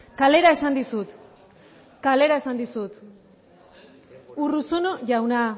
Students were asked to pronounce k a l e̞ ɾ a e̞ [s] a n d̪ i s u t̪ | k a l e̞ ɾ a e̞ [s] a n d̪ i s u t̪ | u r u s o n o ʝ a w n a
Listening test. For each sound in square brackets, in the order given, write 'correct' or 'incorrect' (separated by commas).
correct, correct